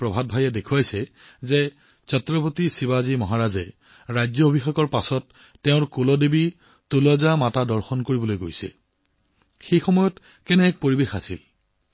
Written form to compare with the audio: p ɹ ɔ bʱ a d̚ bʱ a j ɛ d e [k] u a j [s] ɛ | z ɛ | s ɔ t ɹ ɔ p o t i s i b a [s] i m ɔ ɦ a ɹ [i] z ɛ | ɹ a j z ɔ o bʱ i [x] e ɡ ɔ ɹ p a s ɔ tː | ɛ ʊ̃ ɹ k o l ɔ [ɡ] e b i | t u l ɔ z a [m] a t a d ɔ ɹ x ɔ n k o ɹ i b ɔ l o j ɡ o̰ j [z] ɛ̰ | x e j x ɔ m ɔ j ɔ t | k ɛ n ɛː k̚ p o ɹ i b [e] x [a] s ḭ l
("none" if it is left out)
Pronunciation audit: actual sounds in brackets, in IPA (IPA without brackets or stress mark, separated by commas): kʰ, s, z, a, x, d, m, s, e, a